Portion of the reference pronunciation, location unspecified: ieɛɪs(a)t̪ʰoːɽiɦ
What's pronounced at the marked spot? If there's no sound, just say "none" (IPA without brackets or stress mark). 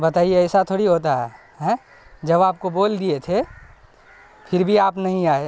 a